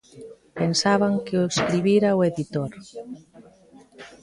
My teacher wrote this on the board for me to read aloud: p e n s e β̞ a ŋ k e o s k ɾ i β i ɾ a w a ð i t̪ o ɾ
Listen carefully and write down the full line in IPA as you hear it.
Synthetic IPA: p e n s a β̞ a ŋ k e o s k ɾ i β i ɾ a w e ð i t̪ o ɾ